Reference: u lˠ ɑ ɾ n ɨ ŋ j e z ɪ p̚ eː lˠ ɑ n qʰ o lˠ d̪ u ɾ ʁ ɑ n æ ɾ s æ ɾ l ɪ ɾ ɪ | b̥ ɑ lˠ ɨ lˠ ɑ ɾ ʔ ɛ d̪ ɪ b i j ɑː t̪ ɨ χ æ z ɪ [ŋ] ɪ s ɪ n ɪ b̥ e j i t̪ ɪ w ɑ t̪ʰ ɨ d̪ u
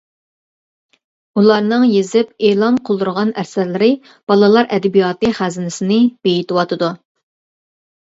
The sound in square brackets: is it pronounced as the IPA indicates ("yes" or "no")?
no